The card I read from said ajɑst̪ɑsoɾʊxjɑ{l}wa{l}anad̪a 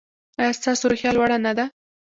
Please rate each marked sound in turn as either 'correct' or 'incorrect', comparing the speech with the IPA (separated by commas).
correct, incorrect